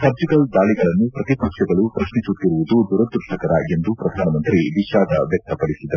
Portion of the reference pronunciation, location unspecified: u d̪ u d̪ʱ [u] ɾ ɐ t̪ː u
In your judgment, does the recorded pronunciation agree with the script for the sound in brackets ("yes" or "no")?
yes